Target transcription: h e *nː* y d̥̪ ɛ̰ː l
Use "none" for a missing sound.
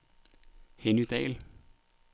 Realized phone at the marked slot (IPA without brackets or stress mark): n